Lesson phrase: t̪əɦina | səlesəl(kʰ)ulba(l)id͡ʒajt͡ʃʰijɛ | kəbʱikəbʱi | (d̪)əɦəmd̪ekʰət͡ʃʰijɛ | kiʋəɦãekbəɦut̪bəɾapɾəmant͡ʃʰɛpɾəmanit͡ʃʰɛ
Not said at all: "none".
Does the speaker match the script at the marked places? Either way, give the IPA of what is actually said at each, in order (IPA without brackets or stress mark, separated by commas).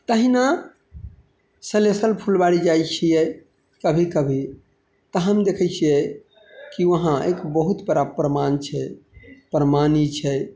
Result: pʰ, ɽ, t̪